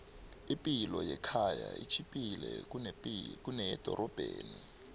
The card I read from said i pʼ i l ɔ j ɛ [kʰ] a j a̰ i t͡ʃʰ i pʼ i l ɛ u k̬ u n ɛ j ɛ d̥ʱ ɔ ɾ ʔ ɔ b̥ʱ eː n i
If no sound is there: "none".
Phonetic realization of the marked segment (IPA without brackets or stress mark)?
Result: kʰ